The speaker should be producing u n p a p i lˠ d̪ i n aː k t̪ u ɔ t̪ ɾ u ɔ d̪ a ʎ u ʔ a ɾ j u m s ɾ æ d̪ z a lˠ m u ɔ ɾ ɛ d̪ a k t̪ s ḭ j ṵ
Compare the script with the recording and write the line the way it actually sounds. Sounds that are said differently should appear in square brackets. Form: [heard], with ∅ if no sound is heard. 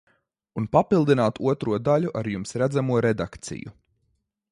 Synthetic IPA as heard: u n p a p i lˠ d̪ i n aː [∅] t̪ u ɔ t̪ ɾ u ɔ d̪ a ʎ u ʔ a ɾ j u m s ɾ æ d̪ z a [∅] m u ɔ ɾ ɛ d̪ a k t̪ s ḭ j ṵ